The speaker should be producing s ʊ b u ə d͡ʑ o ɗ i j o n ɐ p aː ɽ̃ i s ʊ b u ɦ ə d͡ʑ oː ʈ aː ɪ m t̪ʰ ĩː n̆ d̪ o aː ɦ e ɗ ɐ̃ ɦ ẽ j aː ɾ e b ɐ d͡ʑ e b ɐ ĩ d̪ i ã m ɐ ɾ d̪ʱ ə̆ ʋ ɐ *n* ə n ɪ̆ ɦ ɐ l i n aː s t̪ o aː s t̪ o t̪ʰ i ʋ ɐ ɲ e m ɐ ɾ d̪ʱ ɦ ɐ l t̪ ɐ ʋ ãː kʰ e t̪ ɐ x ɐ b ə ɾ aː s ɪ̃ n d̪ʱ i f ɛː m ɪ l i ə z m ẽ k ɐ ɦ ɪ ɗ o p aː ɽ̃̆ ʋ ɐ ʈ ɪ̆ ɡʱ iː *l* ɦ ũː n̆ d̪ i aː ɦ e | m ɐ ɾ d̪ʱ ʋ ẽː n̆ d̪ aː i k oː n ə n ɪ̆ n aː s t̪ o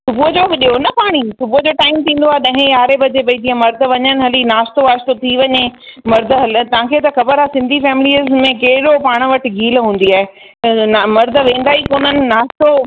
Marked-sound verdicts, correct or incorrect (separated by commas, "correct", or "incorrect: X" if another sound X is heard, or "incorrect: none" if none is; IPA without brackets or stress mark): incorrect: ɲ, correct